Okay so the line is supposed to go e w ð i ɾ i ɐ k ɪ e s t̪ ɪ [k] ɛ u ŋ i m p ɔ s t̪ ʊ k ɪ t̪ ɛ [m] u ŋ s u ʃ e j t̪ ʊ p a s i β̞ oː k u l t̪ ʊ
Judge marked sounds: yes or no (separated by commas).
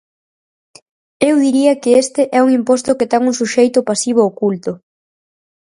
no, no